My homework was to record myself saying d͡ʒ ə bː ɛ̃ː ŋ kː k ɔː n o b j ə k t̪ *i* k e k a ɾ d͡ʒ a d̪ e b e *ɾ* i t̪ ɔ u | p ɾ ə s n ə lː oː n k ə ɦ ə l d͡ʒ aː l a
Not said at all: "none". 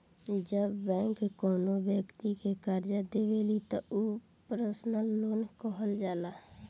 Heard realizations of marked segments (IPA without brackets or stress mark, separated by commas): i, l